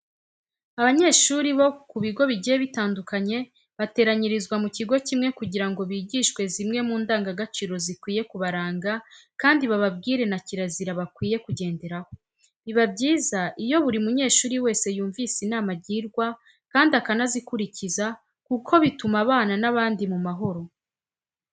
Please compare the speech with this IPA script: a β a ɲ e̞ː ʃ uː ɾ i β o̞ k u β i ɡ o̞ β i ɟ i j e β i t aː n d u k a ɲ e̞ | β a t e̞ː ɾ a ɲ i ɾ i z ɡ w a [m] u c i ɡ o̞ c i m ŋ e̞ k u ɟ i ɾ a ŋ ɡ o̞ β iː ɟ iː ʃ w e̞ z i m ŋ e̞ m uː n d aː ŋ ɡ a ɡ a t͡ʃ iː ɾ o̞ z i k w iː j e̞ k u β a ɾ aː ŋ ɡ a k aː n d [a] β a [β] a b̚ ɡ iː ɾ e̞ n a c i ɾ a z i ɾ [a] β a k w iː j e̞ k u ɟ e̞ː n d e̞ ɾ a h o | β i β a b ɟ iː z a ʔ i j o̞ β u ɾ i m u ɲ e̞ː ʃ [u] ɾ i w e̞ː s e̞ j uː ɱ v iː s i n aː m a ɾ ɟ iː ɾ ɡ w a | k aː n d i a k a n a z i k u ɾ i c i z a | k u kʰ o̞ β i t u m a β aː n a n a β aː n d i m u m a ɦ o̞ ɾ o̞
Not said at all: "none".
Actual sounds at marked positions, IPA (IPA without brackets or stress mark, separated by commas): m, i, β, a, uː